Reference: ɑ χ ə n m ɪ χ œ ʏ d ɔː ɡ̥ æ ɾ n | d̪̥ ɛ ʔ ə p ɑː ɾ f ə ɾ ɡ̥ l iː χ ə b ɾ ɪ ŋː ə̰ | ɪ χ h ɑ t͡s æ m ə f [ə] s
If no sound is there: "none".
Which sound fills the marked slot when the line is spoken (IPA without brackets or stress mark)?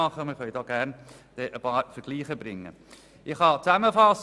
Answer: ɑ